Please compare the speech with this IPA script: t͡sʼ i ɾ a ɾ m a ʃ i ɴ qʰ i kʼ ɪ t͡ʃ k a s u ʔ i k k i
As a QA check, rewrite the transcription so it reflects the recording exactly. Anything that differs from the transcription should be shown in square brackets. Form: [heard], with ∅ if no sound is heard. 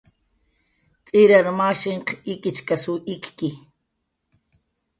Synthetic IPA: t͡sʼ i ɾ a ɾ m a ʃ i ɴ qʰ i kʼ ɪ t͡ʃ k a s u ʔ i k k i